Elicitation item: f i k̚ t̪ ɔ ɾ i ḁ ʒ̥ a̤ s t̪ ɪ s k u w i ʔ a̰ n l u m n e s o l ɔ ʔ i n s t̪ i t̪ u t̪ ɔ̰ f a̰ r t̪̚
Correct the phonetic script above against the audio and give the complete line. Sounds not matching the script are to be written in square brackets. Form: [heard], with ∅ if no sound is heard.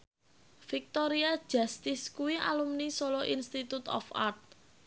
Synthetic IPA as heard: f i k̚ t̪ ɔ ɾ i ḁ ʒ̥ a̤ s t̪ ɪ s k u w i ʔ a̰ [∅] l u m n [i] s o l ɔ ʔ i n s t̪ i t̪ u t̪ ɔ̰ f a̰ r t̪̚